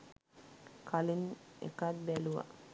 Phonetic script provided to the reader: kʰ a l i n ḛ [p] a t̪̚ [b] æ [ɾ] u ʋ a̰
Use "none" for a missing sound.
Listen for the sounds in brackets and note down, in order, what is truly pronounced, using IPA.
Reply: k, b, l

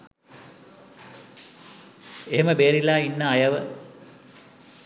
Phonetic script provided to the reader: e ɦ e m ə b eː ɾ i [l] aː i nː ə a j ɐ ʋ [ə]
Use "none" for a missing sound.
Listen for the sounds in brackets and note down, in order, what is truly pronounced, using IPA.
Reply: l, ə

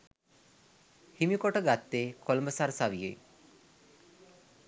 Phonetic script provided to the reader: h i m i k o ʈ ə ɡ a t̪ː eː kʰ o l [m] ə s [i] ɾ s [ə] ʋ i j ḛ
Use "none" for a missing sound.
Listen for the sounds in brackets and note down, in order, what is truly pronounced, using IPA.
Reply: m, a, a

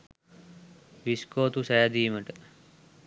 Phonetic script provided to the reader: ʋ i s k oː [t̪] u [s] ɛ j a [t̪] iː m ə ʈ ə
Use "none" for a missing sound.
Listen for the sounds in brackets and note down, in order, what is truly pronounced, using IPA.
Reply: t̪, s, d̪

